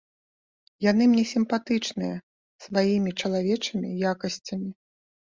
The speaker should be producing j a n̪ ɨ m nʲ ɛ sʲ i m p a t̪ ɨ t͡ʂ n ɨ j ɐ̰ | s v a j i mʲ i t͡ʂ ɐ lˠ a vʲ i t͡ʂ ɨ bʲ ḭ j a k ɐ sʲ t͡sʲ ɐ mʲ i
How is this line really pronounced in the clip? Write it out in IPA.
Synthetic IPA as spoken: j a n̪ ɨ m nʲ ɛ sʲ i m p a t̪ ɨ t͡ʂ n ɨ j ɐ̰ | s v a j i mʲ i t͡ʂ ɐ lˠ a vʲ ɛ t͡ʂ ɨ mʲ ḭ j a k ɐ sʲ t͡sʲ ɐ mʲ i

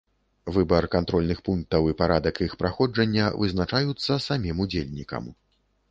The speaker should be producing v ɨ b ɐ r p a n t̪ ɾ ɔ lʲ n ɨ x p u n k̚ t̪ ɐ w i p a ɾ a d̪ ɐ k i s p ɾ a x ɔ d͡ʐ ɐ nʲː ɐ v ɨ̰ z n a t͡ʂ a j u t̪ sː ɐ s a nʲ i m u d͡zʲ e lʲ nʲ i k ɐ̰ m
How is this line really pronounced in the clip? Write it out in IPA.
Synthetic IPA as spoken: v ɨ b ɐ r k a n t̪ ɾ ɔ lʲ n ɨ x p u n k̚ t̪ ɐ w i p a ɾ a d̪ ɐ k i x p ɾ a x ɔ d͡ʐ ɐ nʲː ɐ v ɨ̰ z n a t͡ʂ a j u t̪ sː ɐ s a mʲ i m u d͡zʲ e lʲ nʲ i k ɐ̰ m

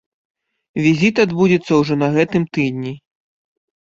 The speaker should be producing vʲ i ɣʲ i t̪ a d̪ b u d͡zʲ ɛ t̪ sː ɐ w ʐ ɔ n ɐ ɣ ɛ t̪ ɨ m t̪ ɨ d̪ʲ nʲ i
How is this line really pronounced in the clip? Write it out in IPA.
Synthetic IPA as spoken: vʲ i zʲ i t̪ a d̪ b u d͡zʲ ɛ t̪ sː ɐ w ʐ ɔ n ɐ ɣ ɛ t̪ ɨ m t̪ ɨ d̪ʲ nʲ i

